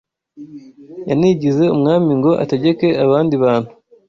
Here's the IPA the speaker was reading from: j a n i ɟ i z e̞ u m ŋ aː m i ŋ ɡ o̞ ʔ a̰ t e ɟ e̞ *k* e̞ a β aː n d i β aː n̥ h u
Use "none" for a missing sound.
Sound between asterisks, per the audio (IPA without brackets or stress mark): k